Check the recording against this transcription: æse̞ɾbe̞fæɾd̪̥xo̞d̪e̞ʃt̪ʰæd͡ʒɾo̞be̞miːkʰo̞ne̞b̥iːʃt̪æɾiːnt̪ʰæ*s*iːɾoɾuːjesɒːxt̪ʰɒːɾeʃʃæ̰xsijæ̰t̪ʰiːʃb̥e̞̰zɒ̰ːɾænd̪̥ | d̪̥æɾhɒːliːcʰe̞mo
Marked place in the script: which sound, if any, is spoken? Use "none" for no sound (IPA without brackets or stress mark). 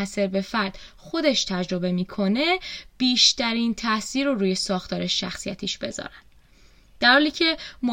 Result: s